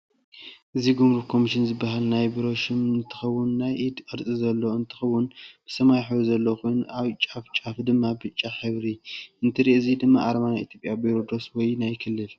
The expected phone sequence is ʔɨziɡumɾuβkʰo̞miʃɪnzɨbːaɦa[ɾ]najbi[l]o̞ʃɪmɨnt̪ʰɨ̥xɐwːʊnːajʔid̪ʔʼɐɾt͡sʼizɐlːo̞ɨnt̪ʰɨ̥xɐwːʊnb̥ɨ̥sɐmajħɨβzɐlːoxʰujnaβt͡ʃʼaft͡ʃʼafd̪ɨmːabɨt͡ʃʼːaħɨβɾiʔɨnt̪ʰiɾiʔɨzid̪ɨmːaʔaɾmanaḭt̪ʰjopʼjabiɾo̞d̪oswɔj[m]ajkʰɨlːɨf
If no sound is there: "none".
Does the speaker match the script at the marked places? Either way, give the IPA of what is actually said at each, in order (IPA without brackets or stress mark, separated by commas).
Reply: l, ɾ, n